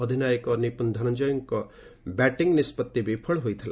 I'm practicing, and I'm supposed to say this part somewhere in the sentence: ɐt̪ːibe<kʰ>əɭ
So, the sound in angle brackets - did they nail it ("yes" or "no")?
no